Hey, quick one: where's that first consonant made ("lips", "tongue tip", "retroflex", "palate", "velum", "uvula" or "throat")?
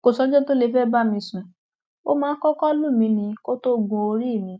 velum